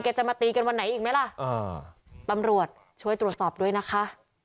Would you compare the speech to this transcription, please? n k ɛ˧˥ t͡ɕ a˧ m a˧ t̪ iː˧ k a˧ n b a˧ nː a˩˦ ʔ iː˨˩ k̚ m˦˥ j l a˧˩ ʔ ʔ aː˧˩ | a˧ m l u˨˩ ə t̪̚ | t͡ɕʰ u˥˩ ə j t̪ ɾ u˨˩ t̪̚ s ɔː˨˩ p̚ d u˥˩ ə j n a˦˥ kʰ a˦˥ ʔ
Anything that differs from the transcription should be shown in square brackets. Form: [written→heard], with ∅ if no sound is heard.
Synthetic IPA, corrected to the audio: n k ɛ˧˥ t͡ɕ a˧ m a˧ t̪ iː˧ k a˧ n [b→w] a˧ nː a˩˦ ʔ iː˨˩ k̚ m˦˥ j l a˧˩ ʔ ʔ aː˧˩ | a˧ m [l→ɾ] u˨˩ ə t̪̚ | t͡ɕʰ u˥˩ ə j t̪ ɾ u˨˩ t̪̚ s ɔː˨˩ p̚ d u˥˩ ə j n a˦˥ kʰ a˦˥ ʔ